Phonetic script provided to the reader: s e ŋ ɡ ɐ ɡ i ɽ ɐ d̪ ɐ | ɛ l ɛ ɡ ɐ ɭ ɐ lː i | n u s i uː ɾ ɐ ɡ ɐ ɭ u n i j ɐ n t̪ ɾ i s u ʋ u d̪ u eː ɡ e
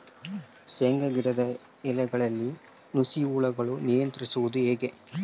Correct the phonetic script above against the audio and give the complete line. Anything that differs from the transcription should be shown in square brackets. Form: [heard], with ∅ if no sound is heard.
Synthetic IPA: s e ŋ ɡ ɐ ɡ i ɽ ɐ d̪ ɐ | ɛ l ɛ ɡ ɐ ɭ ɐ lː i | n u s i uː [ɭ] ɐ ɡ ɐ ɭ u n i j ɐ n t̪ ɾ i s u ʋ u d̪ u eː ɡ e